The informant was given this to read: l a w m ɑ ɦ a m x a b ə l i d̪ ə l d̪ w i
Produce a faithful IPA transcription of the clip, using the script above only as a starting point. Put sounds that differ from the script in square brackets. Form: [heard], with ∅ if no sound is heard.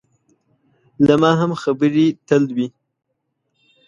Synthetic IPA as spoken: l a [∅] m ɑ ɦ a m x a b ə [ɾ] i [t̪] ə l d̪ w i

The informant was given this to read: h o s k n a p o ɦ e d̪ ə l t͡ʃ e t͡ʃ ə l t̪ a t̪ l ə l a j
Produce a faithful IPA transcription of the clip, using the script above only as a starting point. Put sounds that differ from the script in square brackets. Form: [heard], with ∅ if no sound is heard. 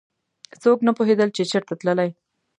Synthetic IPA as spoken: [s] o [∅] k n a p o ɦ e d̪ ə l t͡ʃ e t͡ʃ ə [ɾ] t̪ a t̪ l ə l a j

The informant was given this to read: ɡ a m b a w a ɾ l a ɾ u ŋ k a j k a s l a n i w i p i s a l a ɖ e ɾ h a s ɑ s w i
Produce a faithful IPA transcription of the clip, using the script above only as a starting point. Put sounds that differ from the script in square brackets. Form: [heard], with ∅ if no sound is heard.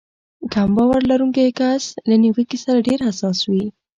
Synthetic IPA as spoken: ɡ a m b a w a ɾ l a ɾ u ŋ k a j k a s l a n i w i [k] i s a [ɾ] a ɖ e ɾ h a s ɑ s w i

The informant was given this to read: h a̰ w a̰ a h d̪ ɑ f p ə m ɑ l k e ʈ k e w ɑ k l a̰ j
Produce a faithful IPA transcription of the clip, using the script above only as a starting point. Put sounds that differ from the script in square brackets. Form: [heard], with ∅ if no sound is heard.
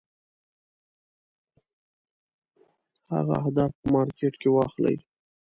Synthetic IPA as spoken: h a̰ [ɣ] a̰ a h d̪ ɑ f p ə m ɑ [ɾ] k e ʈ k e w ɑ [x] l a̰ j

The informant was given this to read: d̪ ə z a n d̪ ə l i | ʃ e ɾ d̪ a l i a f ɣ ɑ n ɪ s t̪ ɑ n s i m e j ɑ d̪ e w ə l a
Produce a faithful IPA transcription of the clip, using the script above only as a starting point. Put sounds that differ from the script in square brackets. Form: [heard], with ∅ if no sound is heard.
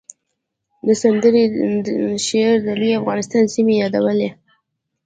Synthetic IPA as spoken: d̪ ə [s] a n d̪ ə [ɾ] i | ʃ e ɾ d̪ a l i a f ɣ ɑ n ɪ s t̪ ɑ n s i m e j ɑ d̪ [a] w ə l [e]

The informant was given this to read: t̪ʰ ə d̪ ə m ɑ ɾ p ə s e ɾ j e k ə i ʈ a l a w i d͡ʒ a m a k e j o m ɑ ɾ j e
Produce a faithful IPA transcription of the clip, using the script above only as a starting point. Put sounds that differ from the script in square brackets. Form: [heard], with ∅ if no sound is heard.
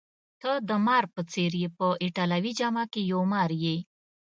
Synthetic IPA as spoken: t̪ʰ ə d̪ ə m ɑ ɾ p ə [t͡s] e ɾ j e [p] ə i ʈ a l a w i d͡ʒ a m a k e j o m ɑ ɾ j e

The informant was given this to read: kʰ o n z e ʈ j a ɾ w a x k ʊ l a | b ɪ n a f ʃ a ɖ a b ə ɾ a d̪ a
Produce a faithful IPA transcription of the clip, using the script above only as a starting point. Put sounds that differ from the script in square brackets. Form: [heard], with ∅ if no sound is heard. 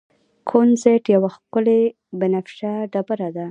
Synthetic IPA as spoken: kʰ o n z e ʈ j a [∅] w a x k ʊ l [e] | b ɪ n a f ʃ a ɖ a b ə ɾ a d̪ a

